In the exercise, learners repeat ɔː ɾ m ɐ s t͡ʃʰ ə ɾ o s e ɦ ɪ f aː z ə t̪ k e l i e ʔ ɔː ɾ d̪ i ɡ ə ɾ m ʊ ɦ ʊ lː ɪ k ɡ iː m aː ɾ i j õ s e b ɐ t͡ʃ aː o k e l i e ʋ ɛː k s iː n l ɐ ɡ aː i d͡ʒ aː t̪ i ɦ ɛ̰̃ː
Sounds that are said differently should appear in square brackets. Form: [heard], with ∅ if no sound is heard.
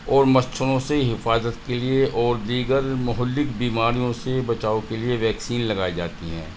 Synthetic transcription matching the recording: ɔː ɾ m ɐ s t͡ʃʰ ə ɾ [õ] s e ɦ ɪ f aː z ə t̪ k e l i e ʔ ɔː ɾ d̪ [iː] ɡ ə ɾ m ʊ ɦ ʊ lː ɪ k [b] iː m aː ɾ i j õ s e b ɐ t͡ʃ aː o k e l i e ʋ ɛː k s iː n l ɐ ɡ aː i d͡ʒ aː t̪ i ɦ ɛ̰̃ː